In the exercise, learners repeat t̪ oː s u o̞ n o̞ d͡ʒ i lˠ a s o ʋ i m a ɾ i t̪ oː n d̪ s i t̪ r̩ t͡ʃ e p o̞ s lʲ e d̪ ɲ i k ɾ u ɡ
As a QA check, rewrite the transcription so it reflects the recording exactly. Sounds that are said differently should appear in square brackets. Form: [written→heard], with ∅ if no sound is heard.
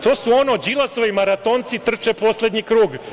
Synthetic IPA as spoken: t̪ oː s u o̞ n o̞ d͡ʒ i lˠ a s o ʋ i m a ɾ [i→a] t̪ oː n [d̪→t̪] s i t̪ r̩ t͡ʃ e p o̞ s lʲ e d̪ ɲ i k ɾ [u→uː] ɡ